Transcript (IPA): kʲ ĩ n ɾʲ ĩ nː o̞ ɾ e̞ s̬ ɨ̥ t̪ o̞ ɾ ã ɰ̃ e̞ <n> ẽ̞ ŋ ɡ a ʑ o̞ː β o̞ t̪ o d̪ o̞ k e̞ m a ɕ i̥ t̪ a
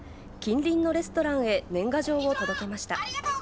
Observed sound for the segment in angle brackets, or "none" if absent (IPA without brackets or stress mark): n